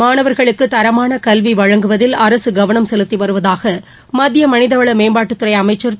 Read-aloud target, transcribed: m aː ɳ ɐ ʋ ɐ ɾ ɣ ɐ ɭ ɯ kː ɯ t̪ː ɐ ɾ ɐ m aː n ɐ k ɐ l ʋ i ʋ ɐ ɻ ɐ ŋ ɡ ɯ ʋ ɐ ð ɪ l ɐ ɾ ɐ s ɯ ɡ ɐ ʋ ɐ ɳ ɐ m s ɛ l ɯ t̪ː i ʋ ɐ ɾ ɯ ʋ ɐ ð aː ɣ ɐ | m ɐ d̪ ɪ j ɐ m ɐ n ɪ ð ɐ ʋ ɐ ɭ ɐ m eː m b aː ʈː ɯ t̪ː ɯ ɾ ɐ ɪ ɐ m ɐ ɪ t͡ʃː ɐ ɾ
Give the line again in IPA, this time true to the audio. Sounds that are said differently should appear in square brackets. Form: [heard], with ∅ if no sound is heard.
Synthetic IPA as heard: m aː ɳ ɐ ʋ ɐ ɾ ɣ ɐ ɭ ɯ kː ɯ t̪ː ɐ ɾ ɐ m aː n ɐ k ɐ l ʋ i ʋ ɐ ɻ ɐ ŋ ɡ ɯ ʋ ɐ ð ɪ l ɐ ɾ ɐ s ɯ ɡ ɐ ʋ ɐ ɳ ɐ m s ɛ l ɯ t̪ː i ʋ ɐ ɾ ɯ ʋ ɐ ð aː ɣ ɐ | m ɐ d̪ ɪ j ɐ m ɐ n ɪ ð ɐ ʋ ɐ ɭ ɐ m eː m b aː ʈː ɯ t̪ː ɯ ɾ ɐ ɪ ɐ m ɐ ɪ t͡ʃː ɐ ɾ

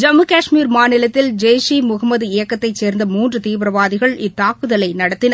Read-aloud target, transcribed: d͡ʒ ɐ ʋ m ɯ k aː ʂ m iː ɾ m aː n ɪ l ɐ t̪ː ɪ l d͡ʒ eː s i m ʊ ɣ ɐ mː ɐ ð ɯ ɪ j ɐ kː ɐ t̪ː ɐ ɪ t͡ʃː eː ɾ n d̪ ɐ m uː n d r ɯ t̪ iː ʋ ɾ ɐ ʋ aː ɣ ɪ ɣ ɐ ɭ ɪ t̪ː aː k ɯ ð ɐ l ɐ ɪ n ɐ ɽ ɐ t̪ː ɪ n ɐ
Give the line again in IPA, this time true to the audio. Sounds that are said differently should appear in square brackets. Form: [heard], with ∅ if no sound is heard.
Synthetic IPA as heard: d͡ʒ ɐ [∅] m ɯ k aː ʂ m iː ɾ m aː n ɪ l ɐ t̪ː ɪ l d͡ʒ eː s i m ʊ ɣ ɐ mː ɐ ð ɯ ɪ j ɐ kː ɐ t̪ː ɐ ɪ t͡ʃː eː ɾ n d̪ ɐ m uː n d r ɯ t̪ iː ʋ ɾ ɐ ʋ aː [ð] ɪ ɣ ɐ ɭ ɪ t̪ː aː k ɯ ð ɐ l ɐ ɪ n ɐ ɽ ɐ t̪ː ɪ n ɐ

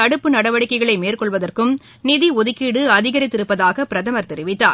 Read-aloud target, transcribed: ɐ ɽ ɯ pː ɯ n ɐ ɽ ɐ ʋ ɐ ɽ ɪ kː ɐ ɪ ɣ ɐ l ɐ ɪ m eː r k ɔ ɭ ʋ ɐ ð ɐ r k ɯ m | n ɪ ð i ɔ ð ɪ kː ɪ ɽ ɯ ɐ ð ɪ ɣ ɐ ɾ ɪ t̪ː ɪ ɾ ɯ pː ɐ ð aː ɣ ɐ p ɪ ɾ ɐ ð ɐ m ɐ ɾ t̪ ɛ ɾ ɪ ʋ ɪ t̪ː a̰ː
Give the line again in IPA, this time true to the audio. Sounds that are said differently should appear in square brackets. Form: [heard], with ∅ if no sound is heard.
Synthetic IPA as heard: ɐ ɽ ɯ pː ɯ n ɐ ɽ ɐ ʋ ɐ ɽ ɪ kː ɐ ɪ ɣ ɐ [ɭ] ɐ ɪ m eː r k ɔ ɭ ʋ ɐ ð ɐ r k ɯ m | n ɪ ð i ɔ ð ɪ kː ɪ ɽ ɯ ɐ ð ɪ ɣ ɐ ɾ ɪ t̪ː ɪ ɾ ɯ pː ɐ ð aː ɣ ɐ p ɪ ɾ ɐ ð ɐ m ɐ ɾ t̪ ɛ ɾ ɪ ʋ ɪ t̪ː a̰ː

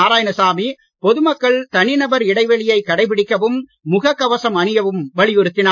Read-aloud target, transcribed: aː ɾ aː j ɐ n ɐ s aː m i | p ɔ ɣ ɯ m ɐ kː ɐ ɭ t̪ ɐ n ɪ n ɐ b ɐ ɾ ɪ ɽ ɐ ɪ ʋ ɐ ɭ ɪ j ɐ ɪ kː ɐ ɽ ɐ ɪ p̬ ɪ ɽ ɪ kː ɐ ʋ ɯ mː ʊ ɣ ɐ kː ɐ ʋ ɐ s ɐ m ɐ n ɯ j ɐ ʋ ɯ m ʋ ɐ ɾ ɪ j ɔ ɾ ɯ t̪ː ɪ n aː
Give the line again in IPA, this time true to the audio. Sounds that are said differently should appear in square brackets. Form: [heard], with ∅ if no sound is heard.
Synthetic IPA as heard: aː ɾ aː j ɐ n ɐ s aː m i | p ɔ [ð] ɯ m ɐ kː ɐ ɭ t̪ ɐ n ɪ n ɐ b ɐ ɾ ɪ ɽ ɐ ɪ ʋ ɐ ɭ ɪ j ɐ ɪ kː ɐ ɽ ɐ ɪ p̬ ɪ ɽ ɪ kː ɐ ʋ ɯ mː ʊ ɣ ɐ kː ɐ ʋ ɐ s ɐ m ɐ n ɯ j ɐ ʋ ɯ m ʋ ɐ [ɭ] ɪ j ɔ ɾ ɯ t̪ː ɪ n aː

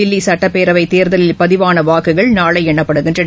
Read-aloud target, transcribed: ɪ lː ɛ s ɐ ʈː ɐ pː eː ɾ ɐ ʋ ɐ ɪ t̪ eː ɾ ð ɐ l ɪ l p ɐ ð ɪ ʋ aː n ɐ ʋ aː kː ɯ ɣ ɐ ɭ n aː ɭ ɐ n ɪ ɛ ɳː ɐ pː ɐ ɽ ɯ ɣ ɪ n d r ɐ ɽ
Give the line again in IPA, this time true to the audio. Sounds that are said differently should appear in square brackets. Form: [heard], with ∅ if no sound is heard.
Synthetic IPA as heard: ɪ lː [i] s ɐ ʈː ɐ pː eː ɾ ɐ ʋ ɐ ɪ t̪ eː ɾ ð ɐ l ɪ l p ɐ ð ɪ ʋ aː n ɐ ʋ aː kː ɯ ɣ ɐ ɭ n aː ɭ ɐ [∅] ɪ ɛ ɳː ɐ pː ɐ ɽ ɯ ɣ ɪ n d r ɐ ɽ

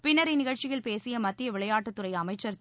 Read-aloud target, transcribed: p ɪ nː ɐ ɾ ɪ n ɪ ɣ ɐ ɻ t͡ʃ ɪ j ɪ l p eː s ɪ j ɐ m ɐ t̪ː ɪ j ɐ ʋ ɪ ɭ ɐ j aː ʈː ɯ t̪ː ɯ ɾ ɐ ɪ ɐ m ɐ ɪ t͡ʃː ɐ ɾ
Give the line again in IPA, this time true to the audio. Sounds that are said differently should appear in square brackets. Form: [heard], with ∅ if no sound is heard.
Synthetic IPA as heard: p ɪ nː ɐ ɾ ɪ n ɪ ɣ ɐ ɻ t͡ʃ ɪ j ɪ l p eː s ɪ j ɐ m ɐ t̪ː ɪ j ɐ ʋ ɪ ɭ ɐ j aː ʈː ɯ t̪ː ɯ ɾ ɐ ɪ ɐ m ɐ ɪ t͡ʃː ɐ ɾ

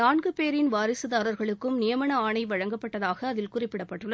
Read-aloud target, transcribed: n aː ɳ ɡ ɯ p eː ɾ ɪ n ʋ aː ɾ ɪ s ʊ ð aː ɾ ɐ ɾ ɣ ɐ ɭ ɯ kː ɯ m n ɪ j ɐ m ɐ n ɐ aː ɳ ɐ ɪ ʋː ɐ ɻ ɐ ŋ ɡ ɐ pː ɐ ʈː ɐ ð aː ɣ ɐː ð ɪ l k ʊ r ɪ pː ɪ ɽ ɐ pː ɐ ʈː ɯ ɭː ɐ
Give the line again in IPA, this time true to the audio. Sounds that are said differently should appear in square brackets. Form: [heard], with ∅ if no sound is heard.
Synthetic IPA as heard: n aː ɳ ɡ ɯ p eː ɾ ɪ n ʋ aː ɾ ɪ s [ɯ] ð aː ɾ ɐ ɾ ɣ ɐ ɭ ɯ kː ɯ m n ɪ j ɐ m ɐ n ɐ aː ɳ ɐ ɪ [ʋ] ɐ ɻ ɐ ŋ ɡ ɐ pː ɐ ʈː ɐ ð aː ɣ ɐː ð ɪ l k ʊ r ɪ pː ɪ ɽ ɐ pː ɐ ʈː ɯ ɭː ɐ

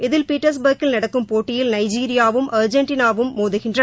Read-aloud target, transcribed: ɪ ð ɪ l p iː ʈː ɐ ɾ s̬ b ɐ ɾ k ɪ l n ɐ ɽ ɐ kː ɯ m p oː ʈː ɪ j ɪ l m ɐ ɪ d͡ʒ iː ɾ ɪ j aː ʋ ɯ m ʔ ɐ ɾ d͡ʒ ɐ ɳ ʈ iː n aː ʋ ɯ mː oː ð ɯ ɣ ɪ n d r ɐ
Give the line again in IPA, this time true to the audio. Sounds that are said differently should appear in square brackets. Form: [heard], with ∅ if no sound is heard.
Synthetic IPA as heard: ɪ ð ɪ l p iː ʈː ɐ ɾ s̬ b ɐ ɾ k ɪ l n ɐ ɽ ɐ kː ɯ m p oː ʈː ɪ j ɪ l [n] ɐ ɪ d͡ʒ iː ɾ ɪ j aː ʋ ɯ m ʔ ɐ ɾ d͡ʒ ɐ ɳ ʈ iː n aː ʋ ɯ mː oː ð ɯ ɣ ɪ n d r ɐ

